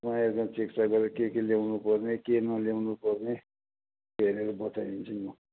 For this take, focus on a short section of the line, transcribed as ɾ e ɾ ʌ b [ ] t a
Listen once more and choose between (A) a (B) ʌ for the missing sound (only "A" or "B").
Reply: B